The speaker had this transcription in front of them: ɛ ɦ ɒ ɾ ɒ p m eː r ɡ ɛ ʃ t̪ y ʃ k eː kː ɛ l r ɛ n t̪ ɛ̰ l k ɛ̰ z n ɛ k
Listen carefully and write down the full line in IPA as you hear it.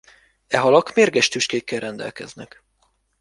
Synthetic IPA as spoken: ɛ ɦ ɒ l ɒ k m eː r ɡ ɛ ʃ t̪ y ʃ k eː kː ɛ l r ɛ n d̪ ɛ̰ l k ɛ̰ z n ɛ k